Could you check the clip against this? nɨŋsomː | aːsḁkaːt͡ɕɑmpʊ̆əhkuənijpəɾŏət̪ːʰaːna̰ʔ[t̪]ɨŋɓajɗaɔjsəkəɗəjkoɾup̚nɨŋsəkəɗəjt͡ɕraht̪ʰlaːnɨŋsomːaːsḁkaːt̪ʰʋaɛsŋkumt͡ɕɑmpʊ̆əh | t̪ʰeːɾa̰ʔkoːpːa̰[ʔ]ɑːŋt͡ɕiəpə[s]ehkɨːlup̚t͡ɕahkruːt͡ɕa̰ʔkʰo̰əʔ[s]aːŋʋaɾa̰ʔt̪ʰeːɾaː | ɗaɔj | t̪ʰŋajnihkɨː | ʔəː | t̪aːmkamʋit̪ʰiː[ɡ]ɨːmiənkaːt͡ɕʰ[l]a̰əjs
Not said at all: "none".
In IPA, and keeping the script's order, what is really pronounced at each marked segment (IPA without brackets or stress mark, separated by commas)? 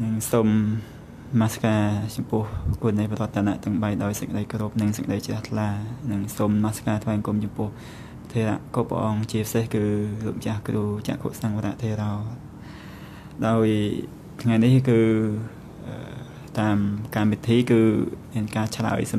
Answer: t̪, ʔ, s, s, k, l